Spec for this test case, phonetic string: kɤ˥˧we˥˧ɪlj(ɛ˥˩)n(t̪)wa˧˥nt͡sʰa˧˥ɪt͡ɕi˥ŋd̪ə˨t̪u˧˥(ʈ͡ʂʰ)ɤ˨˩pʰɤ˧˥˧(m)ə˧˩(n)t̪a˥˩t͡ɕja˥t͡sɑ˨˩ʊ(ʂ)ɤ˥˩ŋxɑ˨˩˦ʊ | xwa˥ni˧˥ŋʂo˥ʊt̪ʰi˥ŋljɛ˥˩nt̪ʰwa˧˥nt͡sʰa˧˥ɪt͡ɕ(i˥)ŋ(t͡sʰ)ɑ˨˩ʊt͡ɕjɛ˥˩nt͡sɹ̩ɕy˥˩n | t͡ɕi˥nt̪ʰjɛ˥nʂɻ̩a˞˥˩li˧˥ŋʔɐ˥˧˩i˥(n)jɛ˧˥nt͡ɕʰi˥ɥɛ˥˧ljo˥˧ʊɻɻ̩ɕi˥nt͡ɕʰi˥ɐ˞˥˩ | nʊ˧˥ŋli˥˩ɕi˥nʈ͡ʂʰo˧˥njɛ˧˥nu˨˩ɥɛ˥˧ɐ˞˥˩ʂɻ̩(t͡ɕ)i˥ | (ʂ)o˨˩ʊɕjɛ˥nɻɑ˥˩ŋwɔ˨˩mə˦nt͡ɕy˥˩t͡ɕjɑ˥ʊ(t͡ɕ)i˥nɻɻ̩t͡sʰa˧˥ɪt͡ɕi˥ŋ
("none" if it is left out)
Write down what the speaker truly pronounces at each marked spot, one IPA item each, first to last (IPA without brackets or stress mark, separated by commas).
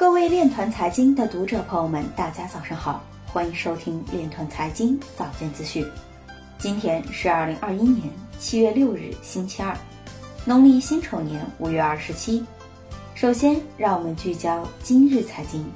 ɛ˥˩, t̪ʰ, ʈ͡ʂ, m, n, ʂ, i˥, t͡s, n, t͡ɕʰ, ʂ, t͡ɕ